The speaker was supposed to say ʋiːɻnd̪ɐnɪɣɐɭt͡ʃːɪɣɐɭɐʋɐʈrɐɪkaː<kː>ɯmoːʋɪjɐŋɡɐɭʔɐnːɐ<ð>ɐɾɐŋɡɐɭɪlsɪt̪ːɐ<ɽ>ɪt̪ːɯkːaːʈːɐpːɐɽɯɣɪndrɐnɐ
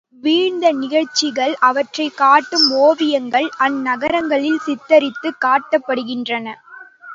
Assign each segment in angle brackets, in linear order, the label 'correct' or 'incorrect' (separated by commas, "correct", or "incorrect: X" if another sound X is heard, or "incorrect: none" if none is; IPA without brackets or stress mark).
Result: incorrect: ʈː, incorrect: ɣ, incorrect: ɾ